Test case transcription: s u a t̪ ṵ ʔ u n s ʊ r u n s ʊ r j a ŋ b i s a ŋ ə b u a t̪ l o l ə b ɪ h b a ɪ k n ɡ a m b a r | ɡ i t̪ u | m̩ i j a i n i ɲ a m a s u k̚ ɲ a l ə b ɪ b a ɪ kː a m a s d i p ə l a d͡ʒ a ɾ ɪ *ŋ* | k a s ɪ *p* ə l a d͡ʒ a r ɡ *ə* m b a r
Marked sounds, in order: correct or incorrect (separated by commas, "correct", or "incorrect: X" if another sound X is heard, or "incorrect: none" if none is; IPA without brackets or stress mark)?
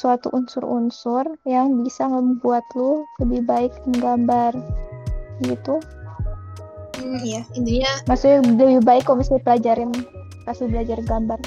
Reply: incorrect: n, incorrect: b, incorrect: a